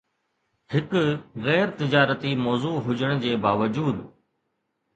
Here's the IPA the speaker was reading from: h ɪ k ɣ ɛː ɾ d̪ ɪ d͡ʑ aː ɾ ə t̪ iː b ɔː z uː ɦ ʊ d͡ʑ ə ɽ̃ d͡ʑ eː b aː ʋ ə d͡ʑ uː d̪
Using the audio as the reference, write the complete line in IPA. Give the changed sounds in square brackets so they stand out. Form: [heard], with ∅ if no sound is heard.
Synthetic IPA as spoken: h ɪ k ɣ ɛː ɾ [t̪] ɪ d͡ʑ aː ɾ ə t̪ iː [m] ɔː z uː ɦ ʊ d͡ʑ ə ɽ̃ d͡ʑ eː b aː ʋ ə d͡ʑ uː d̪